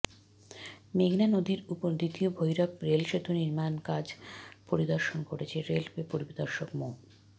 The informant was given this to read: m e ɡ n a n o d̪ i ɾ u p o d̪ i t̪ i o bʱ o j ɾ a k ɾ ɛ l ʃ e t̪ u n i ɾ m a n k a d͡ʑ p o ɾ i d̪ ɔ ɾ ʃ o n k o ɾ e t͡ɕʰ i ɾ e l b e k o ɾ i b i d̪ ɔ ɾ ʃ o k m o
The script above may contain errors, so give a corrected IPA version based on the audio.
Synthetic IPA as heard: m e ɡ n a n o d̪ i ɾ u p o d̪ i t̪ i o bʱ o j ɾ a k ɾ e l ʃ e t̪ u n i ɾ m a n k a d͡ʑ p o ɾ i d̪ ɔ ɾ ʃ o n k o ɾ e t͡ɕʰ e ɾ e l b e p o ɾ i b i d̪ ɔ ɾ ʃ o k m o